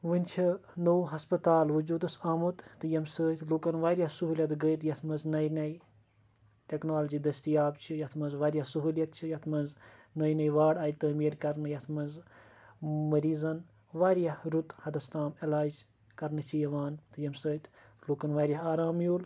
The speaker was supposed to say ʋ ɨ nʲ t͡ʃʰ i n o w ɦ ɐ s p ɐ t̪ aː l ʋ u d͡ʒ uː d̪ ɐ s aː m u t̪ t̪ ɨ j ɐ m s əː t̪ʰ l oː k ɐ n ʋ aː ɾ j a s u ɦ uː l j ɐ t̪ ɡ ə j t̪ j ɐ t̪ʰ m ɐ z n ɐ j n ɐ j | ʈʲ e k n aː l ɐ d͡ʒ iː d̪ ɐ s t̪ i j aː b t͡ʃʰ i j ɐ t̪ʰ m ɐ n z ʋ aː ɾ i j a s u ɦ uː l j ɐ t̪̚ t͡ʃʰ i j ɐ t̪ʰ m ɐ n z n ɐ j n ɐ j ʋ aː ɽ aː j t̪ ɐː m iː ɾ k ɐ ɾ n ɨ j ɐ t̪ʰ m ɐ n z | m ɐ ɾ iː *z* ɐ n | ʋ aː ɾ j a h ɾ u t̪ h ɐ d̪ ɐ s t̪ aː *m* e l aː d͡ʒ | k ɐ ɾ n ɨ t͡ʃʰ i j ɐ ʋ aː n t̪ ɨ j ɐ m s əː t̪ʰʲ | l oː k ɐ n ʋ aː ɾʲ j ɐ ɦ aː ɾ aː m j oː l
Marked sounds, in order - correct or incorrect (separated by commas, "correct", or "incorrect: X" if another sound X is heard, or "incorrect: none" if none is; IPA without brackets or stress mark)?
correct, correct